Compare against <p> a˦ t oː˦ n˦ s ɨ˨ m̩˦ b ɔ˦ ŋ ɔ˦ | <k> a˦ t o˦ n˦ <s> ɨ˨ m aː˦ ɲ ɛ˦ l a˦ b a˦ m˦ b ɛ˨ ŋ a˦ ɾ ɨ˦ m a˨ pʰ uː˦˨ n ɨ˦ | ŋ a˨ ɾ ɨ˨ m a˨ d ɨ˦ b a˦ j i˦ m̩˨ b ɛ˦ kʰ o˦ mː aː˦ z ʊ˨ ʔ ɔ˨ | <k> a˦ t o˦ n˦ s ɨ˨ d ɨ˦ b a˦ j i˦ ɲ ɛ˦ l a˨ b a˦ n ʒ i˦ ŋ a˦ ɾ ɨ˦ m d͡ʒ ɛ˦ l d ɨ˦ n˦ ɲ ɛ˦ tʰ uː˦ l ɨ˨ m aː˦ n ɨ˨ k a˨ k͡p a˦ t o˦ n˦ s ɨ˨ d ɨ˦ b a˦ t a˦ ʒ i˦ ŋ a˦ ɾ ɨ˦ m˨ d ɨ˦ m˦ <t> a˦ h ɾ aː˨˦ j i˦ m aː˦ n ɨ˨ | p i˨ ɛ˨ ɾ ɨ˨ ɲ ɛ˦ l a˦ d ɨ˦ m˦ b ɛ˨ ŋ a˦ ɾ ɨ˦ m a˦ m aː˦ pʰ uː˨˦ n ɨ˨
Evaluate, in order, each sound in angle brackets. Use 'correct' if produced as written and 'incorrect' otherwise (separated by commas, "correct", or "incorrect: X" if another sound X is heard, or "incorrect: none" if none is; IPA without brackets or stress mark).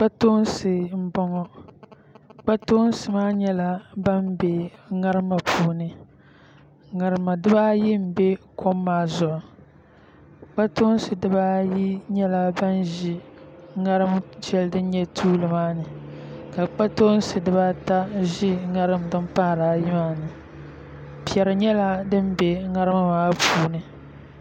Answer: incorrect: k͡p, incorrect: k͡p, correct, incorrect: k͡p, incorrect: p